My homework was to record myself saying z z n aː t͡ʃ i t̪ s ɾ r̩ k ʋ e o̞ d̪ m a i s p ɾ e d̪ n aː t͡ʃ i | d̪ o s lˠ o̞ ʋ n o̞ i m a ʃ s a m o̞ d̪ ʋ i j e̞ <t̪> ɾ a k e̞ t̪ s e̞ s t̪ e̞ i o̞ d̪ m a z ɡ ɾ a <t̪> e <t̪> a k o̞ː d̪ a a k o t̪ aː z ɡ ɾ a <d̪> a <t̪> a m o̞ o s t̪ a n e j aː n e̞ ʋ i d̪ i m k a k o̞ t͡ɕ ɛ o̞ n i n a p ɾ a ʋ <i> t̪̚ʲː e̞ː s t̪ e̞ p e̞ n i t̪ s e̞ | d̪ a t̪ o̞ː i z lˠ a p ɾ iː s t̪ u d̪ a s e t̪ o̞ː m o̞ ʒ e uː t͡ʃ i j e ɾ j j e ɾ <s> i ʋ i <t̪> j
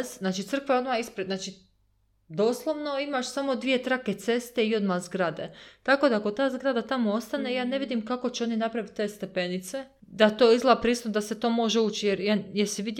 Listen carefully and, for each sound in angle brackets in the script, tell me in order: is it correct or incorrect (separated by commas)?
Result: correct, incorrect, correct, correct, correct, correct, correct, incorrect